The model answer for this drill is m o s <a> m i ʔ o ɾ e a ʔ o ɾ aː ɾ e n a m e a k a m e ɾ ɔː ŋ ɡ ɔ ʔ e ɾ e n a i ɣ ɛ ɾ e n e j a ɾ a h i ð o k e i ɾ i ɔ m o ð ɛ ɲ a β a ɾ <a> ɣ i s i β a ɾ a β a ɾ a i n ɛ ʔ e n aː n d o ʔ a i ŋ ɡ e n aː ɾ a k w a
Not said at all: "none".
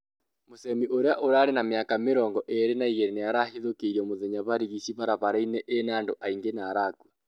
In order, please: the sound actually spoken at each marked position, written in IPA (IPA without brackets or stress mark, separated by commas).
ɛ, i